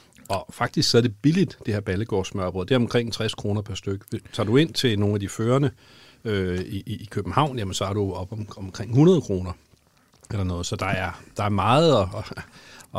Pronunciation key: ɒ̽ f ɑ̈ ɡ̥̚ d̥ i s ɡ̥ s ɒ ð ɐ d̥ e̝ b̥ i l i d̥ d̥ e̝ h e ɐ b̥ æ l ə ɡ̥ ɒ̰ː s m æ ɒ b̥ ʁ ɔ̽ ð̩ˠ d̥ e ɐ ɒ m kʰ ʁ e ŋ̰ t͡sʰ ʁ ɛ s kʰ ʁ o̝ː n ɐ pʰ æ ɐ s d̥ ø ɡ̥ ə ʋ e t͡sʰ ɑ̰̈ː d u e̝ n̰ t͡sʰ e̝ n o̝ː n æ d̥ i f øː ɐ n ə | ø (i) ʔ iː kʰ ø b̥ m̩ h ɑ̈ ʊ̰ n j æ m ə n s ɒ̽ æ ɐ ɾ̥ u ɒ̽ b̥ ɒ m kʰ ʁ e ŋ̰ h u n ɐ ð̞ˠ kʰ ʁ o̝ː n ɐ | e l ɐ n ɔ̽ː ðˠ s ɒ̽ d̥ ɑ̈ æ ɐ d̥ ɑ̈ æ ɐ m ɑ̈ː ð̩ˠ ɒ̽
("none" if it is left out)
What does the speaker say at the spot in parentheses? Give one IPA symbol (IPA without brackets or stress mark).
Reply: i